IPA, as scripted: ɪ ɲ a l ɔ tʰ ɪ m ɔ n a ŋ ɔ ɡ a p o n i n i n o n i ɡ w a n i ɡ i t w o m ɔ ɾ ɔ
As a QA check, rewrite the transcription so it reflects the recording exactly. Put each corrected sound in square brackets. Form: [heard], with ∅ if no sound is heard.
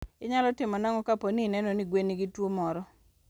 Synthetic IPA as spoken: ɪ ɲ a l ɔ [t] ɪ m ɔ n a ŋ ɔ [k] a p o n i n [ɛ] n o n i ɡ w [e] n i ɡ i t w o m ɔ ɾ ɔ

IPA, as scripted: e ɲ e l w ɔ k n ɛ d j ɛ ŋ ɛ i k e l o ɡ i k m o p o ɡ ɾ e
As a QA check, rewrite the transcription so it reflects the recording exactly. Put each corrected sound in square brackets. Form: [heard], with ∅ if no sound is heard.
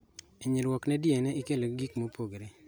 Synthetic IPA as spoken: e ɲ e l w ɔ k n ɛ d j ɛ [n] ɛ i k e l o ɡ i k m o p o ɡ ɾ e

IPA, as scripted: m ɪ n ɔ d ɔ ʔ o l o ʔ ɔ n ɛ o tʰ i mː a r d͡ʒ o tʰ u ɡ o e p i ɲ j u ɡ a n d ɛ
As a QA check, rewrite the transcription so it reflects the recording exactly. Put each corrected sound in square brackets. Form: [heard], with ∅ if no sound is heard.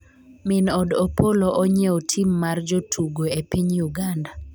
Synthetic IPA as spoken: m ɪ n ɔ d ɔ [p] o l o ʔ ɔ [ɲ] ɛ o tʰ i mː a r d͡ʒ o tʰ u ɡ o e p i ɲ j u ɡ a n d [a]

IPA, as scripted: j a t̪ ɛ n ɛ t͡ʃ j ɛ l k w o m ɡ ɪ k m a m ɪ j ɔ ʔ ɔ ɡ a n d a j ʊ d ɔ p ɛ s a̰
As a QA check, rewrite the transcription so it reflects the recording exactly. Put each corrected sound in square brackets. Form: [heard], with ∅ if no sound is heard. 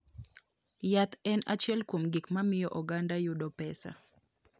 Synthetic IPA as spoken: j a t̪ ɛ n [a] t͡ʃ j ɛ l k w o m ɡ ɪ k m a m ɪ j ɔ ʔ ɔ ɡ a n d a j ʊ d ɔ p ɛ s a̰

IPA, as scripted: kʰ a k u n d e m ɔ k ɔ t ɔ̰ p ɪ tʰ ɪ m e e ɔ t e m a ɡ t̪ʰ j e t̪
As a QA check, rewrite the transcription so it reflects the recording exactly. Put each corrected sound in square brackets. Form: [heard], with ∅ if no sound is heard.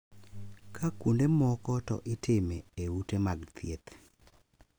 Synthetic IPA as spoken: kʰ a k u n d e m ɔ k ɔ t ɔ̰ [ʔ] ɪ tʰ ɪ m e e [u] t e m a ɡ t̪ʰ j e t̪

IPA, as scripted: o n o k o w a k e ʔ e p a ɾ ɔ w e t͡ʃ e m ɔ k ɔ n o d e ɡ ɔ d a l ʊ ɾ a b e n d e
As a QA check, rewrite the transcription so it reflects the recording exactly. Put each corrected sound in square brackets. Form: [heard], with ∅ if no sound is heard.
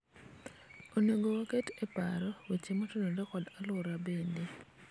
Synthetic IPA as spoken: o n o [ɡ] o w a k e [t] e p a ɾ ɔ w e t͡ʃ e m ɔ [t] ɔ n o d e [k] ɔ d a l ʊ ɾ a b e n d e

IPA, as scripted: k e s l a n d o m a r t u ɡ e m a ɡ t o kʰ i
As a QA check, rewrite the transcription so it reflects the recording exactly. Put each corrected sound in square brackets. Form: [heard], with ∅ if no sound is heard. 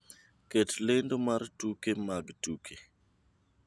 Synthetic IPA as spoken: k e [t] l [e] n d o m a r t u [k] e m a ɡ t [u] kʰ [e]

